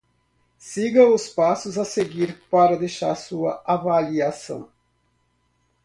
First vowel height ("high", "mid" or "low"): high